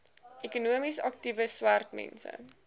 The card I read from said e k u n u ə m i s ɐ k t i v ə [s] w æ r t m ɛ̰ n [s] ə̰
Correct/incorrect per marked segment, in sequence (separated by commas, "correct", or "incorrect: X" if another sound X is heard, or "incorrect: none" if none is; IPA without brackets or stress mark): correct, correct